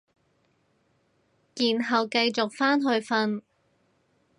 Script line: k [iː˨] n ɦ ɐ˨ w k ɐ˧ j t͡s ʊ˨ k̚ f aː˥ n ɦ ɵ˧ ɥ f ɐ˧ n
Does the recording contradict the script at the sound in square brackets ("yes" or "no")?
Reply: no